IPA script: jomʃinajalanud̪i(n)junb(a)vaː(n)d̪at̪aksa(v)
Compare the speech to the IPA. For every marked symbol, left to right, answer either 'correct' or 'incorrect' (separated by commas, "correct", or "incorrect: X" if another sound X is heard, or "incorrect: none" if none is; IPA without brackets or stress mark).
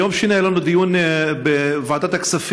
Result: incorrect: none, incorrect: e, incorrect: none, incorrect: f